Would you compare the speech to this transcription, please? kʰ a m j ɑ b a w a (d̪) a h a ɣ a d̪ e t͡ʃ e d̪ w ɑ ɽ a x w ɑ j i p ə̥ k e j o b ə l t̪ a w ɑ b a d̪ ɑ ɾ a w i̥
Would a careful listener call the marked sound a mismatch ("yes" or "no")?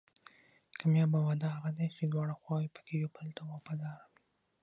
no